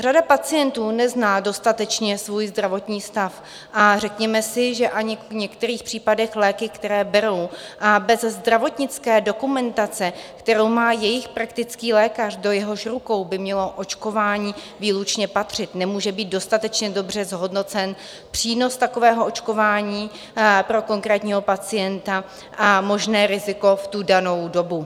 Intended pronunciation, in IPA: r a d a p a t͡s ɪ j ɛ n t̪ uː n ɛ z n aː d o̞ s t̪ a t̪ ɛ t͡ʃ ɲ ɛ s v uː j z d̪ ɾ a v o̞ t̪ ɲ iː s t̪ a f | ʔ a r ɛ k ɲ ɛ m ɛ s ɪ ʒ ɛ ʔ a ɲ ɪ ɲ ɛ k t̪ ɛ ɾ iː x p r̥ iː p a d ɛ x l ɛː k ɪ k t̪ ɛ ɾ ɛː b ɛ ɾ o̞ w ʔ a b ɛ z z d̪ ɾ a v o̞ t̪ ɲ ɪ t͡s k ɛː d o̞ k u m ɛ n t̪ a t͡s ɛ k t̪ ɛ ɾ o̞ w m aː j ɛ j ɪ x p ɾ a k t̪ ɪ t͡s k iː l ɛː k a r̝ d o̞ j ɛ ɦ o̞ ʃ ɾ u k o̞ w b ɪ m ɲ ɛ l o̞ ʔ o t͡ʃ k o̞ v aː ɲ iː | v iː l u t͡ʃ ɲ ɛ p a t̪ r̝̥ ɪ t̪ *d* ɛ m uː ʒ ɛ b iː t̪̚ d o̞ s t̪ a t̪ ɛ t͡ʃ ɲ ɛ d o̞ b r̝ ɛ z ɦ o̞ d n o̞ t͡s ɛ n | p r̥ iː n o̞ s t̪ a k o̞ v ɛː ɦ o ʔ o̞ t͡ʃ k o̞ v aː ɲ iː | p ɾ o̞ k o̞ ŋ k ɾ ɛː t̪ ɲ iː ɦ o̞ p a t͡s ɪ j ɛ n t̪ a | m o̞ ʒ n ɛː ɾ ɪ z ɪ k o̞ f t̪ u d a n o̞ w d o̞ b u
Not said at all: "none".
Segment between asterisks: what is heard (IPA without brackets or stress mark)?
n